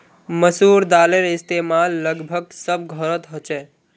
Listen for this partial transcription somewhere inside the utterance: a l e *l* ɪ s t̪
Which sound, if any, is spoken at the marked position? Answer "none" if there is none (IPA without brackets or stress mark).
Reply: ɾ